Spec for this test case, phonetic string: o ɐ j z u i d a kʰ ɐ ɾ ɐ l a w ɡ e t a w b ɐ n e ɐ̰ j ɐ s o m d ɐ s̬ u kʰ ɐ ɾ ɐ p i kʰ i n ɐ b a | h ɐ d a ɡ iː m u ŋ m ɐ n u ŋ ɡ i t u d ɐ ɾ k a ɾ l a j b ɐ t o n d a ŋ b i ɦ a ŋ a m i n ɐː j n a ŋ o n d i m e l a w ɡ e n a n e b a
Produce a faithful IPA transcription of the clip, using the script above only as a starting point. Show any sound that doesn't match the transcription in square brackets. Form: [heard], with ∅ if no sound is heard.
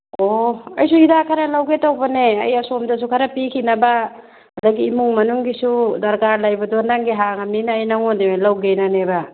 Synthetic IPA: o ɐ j [s] u i d a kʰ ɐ ɾ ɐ l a w ɡ e t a w b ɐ n e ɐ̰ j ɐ s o m d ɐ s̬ u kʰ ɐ ɾ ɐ p i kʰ i n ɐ b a | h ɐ d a ɡ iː m u ŋ m ɐ n u ŋ ɡ i [s] u d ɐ ɾ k a ɾ l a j b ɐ [d] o n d a ŋ [ɡ] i ɦ a ŋ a m i n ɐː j n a ŋ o n d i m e l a w ɡ e n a n e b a